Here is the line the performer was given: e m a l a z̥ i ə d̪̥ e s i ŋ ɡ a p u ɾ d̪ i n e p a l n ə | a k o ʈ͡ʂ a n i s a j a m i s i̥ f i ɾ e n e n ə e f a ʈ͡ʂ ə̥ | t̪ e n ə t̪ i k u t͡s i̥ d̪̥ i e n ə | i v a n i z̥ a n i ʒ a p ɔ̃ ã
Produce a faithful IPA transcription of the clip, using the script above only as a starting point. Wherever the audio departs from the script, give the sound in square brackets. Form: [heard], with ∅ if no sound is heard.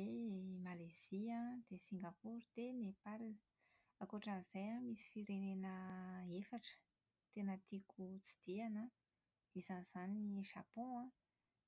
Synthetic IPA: e m a l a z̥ i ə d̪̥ e s i ŋ ɡ a p u ɾ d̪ [e] n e p a l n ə | a k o ʈ͡ʂ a n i [z] a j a m i s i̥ f i ɾ e n e n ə e f a ʈ͡ʂ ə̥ | t̪ e n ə t̪ i k u t͡s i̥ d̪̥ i [a] n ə | i [z] a n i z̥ a n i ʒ a p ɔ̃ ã

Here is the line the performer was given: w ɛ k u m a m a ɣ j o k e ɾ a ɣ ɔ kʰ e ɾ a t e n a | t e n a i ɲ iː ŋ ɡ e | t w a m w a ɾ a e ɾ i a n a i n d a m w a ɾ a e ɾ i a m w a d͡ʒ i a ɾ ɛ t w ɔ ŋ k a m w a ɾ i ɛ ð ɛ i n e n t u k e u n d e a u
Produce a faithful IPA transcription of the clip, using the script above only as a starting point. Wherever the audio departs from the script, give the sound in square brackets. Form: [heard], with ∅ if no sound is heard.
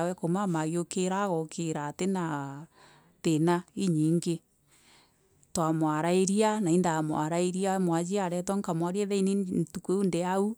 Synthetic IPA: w ɛ k [o] m a m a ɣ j o k e ɾ a ɣ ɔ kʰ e ɾ a t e n a | t e n a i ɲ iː ŋ ɡ e | t w a m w a ɾ a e ɾ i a n a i n d a m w a ɾ a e ɾ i a m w a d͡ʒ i a ɾ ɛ t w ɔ ŋ k a m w a ɾ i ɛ ð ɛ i n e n t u k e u n d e a u

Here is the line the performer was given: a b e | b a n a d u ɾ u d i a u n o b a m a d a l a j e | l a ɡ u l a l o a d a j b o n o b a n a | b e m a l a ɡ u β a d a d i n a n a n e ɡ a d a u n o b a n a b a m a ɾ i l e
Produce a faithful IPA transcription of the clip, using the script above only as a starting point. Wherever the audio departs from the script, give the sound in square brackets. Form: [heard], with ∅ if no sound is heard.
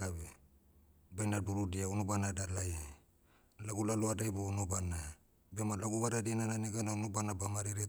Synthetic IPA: a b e | b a n a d u ɾ u d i a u n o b a [n] a d a l a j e | l a ɡ u l a l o a d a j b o n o b a n a | b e m a l a ɡ u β a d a d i n a n a n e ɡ a [n] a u n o b a n a b a m a ɾ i [ɾ] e

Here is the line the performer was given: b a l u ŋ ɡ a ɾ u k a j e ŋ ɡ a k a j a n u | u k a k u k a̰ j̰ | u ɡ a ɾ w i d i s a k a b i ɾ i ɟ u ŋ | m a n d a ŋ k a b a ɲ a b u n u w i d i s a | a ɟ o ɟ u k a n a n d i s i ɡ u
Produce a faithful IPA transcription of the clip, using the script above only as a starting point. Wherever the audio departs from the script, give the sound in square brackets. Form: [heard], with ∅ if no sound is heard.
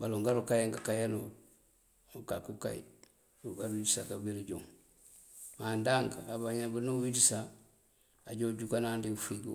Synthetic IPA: b a l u ŋ ɡ a ɾ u k a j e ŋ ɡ a k a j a n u | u k a k u k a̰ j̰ | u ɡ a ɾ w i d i s a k a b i ɾ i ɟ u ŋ | m a n d a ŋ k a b a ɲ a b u n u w i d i s a | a ɟ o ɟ u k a n a n d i [f] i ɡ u

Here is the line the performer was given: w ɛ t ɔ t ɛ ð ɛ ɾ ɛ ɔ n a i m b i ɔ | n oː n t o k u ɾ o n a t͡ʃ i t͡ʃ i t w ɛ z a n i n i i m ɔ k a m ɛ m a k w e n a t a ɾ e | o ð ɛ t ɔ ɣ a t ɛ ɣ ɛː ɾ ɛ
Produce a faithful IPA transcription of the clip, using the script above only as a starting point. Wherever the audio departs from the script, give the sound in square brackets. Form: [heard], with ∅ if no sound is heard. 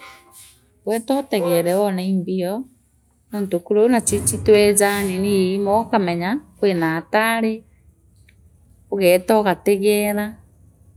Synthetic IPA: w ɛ t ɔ t ɛ [ɣ] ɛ ɾ ɛ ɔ n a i m b i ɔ | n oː n t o k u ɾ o n a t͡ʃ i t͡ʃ i t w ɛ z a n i n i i m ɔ k a m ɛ [ɲ] a k w e n a t a ɾ e | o [ɣ] ɛ t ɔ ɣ a t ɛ ɣ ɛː ɾ [a]

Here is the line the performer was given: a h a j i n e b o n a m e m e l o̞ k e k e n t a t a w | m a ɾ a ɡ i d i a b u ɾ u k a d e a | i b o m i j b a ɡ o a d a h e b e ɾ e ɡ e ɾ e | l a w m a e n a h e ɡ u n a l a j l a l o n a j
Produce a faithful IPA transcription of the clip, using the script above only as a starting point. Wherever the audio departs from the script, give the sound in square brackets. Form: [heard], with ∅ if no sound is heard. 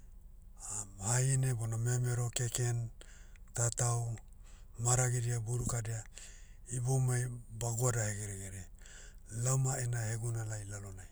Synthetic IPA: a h a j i n e b o n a m e m e [ɾ] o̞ k e k e n t a t a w | m a ɾ a ɡ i d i a b u ɾ u k a d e a | i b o m [a] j b a ɡ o a d a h e [ɡ] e ɾ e ɡ e ɾ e | l a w m a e n a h e ɡ u n a l a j l a l o n a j

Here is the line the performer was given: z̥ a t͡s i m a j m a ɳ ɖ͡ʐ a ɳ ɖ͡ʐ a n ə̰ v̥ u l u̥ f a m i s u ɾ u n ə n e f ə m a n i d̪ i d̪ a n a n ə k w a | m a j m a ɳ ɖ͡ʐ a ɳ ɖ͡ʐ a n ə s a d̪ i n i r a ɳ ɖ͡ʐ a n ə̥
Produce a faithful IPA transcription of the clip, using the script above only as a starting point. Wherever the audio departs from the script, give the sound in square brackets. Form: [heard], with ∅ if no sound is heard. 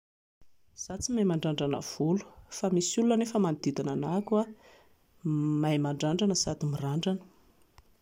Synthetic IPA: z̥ a t͡s i m a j m a ɳ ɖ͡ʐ a ɳ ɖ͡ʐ a n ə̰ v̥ u l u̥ f a m i s u [l] u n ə n e f ə m a n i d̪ i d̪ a n a n [a] k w a | m a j m a ɳ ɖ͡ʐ a ɳ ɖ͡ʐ a n ə s a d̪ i [m] i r a ɳ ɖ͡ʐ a n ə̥

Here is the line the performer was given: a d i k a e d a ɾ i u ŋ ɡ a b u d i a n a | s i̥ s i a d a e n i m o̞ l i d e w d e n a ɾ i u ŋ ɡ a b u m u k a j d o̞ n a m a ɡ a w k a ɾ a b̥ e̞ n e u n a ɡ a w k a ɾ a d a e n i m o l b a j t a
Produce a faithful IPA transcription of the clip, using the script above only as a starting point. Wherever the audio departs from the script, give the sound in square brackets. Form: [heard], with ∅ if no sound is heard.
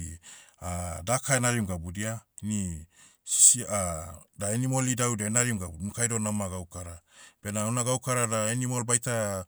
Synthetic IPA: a d [a] k a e [n] a ɾ i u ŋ ɡ a b u d i a n [i] | s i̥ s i a d a e n i m o̞ l i d [a] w d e n a ɾ i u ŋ ɡ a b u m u k a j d o̞ n a m a ɡ a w k a ɾ a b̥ e̞ n [a] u n a ɡ a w k a ɾ a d a e n i m o l b a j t a

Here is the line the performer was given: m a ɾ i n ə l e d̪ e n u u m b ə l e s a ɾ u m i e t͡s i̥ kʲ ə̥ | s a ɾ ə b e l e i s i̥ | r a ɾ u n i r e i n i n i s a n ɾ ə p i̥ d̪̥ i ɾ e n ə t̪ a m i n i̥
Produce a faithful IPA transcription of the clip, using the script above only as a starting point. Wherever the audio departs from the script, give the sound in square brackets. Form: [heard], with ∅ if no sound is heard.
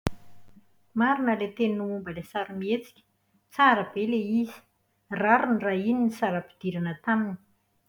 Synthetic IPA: m a ɾ i n ə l e [t̪] e n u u m b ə l e s a ɾ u m i e t͡s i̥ kʲ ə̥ | [t͡s] a ɾ ə b e l e i [z] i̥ | r a ɾ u n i r [a] i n i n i s a [∅] ɾ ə p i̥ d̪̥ i ɾ [a] n ə t̪ a m i n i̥

